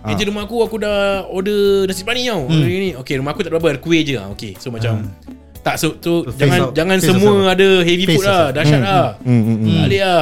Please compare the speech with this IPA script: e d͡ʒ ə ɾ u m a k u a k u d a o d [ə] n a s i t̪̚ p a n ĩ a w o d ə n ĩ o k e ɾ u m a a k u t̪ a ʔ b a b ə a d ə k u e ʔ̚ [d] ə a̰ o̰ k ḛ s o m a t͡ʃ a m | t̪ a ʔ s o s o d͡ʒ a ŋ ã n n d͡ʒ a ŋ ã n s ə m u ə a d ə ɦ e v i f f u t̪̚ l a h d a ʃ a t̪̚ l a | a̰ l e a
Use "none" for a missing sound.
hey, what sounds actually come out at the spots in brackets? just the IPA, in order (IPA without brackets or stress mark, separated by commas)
ə, d͡ʒ